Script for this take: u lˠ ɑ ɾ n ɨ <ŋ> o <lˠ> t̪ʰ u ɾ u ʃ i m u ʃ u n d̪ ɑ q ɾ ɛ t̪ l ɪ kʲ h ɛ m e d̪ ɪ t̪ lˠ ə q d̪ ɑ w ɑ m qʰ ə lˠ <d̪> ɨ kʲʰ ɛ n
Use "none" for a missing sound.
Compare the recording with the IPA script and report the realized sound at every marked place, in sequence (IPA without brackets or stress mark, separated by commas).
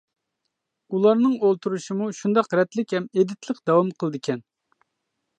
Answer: ŋ, lˠ, d̪